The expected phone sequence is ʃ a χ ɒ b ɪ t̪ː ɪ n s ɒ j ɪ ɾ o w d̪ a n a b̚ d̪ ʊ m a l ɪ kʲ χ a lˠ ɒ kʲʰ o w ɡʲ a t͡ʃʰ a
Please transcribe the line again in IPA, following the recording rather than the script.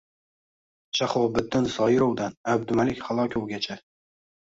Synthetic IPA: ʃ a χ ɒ b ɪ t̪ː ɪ n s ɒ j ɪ ɾ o w d̪ a n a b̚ d̪ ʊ m a l ɪ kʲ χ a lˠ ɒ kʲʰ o w ɡʲ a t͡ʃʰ a